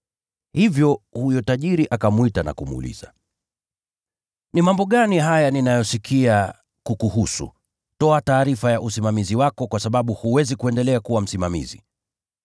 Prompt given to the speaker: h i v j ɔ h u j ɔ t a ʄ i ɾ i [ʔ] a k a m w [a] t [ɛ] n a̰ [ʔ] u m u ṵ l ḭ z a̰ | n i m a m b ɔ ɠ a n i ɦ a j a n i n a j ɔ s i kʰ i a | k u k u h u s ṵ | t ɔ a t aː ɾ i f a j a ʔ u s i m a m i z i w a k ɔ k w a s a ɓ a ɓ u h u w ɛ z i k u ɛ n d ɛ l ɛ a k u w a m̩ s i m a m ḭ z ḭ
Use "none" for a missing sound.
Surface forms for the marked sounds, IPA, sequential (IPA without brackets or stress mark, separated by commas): ʔ, i, a, k